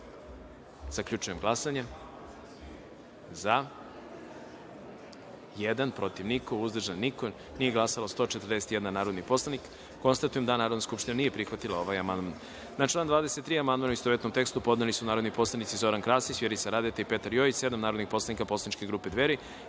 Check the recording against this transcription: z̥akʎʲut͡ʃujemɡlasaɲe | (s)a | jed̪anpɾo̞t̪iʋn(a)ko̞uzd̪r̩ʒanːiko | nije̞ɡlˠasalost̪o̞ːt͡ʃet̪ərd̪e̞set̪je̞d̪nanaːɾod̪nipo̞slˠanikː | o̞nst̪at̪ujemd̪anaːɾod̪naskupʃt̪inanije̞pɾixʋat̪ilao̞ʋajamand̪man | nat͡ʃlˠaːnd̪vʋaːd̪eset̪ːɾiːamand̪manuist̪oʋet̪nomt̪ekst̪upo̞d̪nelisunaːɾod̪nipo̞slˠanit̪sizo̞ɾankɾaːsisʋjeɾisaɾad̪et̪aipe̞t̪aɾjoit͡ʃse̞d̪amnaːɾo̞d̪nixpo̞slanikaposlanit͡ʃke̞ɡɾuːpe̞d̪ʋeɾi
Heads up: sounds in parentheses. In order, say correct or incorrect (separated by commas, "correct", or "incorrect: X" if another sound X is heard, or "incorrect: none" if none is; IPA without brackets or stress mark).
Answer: incorrect: z, incorrect: i